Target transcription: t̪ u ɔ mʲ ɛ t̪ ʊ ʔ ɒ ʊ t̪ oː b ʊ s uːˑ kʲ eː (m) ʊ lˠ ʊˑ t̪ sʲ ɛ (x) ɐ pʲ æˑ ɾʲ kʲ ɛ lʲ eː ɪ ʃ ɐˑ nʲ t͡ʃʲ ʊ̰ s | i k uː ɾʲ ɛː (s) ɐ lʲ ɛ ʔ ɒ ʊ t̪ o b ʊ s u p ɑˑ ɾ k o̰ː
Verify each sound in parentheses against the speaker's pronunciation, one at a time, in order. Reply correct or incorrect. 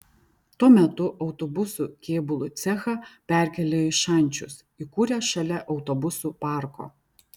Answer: incorrect: b, correct, incorrect: ʃ

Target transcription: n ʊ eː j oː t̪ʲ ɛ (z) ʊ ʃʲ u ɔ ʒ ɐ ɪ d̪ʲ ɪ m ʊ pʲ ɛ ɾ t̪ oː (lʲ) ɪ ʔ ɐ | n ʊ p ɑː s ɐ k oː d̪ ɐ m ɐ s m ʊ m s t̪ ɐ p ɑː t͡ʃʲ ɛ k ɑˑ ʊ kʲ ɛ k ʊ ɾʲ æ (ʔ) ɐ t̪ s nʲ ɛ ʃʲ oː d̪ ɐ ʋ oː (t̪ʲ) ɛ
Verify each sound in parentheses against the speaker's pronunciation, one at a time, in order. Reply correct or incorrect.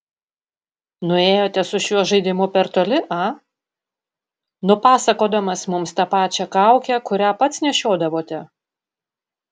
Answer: incorrect: s, correct, incorrect: p, correct

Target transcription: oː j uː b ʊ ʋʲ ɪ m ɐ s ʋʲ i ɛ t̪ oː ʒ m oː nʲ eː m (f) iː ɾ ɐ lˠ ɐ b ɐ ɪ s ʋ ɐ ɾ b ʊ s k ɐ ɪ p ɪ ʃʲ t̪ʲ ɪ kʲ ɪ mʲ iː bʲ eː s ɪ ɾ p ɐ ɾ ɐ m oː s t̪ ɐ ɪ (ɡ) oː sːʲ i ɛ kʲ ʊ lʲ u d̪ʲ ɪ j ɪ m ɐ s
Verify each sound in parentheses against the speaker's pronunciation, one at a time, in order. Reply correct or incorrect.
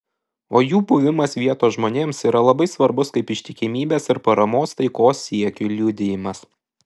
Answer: incorrect: s, incorrect: k

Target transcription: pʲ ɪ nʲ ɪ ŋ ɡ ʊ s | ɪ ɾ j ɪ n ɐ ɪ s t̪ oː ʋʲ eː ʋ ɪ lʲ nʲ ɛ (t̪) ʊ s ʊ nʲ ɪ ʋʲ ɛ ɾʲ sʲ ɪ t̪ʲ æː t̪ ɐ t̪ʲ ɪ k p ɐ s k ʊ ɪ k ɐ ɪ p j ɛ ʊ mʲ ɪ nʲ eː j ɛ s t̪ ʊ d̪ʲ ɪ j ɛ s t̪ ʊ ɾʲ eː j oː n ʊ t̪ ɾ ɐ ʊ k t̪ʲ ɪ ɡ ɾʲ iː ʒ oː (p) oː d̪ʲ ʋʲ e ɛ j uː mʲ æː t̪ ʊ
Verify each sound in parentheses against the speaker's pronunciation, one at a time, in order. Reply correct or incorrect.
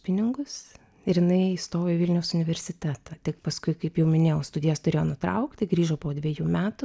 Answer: incorrect: none, correct

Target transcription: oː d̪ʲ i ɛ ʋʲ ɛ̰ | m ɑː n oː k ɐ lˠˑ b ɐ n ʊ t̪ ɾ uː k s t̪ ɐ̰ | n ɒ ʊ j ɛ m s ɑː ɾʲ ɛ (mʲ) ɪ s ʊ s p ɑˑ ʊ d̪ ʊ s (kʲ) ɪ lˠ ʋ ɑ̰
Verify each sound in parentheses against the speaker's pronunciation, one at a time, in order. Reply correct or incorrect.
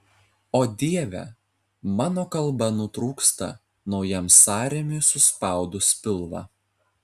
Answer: correct, incorrect: pʲ

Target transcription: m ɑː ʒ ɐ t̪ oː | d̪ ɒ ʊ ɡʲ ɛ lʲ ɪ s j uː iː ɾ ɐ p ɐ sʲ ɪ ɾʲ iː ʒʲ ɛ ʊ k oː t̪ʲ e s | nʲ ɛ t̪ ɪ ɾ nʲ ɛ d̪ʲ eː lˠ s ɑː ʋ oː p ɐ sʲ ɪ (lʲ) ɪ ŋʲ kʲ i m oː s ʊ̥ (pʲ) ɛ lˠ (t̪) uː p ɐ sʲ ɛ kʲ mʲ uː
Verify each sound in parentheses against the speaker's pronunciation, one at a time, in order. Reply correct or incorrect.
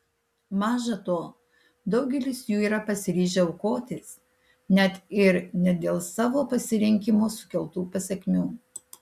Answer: incorrect: ɾʲ, incorrect: kʲ, correct

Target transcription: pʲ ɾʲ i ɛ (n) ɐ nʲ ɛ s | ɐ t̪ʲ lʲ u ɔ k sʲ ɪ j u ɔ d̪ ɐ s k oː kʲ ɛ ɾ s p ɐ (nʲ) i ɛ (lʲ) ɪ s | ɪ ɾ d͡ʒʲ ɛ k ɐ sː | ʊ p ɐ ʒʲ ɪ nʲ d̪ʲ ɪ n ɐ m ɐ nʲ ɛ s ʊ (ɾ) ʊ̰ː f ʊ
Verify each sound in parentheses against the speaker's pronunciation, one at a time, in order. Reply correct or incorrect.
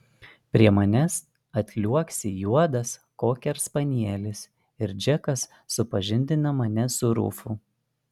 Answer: incorrect: m, correct, correct, correct

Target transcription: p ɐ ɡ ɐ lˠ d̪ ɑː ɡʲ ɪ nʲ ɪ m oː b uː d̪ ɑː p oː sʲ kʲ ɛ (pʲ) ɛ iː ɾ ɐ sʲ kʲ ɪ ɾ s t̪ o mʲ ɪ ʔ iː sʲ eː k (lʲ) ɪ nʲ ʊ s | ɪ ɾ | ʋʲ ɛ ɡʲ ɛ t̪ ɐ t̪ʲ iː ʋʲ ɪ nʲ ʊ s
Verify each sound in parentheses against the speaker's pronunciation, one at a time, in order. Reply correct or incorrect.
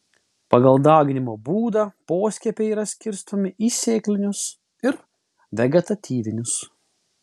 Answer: correct, correct

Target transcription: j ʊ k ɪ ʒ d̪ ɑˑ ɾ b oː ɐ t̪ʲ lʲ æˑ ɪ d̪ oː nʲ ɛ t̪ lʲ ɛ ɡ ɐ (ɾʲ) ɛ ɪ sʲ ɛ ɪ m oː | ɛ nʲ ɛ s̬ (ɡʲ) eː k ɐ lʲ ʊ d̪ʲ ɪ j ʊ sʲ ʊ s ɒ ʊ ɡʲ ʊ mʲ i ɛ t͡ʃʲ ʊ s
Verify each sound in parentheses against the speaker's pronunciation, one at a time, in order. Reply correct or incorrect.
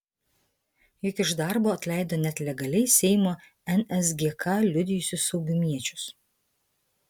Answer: incorrect: lʲ, correct

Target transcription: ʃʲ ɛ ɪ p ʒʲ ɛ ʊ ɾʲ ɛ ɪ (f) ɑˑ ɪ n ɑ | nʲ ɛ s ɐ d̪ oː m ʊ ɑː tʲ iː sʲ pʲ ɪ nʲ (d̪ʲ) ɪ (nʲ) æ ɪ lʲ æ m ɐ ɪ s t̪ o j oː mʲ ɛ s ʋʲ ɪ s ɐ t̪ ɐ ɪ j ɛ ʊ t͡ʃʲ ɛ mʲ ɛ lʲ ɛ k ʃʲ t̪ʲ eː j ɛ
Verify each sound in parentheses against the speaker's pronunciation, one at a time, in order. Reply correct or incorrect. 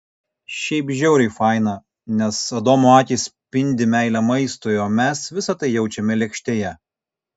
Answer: correct, correct, incorrect: mʲ

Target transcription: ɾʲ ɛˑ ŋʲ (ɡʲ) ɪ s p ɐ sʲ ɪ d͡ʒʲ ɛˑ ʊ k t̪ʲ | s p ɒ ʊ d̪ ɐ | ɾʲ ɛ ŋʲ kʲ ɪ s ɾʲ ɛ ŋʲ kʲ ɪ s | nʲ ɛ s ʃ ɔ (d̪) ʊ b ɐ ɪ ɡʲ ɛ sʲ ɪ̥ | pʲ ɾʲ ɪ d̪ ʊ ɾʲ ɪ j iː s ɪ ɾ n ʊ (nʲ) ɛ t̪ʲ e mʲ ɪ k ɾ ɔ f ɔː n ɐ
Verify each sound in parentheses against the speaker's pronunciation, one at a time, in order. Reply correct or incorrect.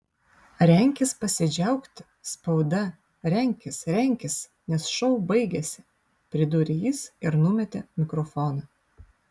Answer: incorrect: kʲ, incorrect: none, incorrect: mʲ

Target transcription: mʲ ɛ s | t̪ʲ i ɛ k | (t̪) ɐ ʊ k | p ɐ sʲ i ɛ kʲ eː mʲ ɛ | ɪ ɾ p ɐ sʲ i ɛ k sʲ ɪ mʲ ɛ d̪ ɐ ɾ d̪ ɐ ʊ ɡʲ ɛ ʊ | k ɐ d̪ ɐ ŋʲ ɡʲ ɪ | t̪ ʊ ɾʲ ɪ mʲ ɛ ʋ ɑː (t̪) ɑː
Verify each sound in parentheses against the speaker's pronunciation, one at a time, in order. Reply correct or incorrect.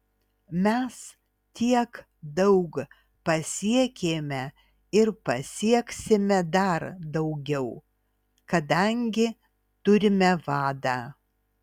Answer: incorrect: d̪, incorrect: d̪

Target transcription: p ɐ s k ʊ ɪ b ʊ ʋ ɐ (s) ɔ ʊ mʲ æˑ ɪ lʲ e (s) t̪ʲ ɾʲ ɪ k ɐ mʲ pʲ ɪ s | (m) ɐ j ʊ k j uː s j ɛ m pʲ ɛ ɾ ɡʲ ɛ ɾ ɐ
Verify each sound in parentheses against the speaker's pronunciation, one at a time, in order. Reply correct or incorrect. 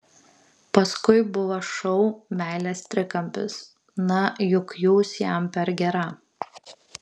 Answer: incorrect: ʃ, correct, incorrect: n

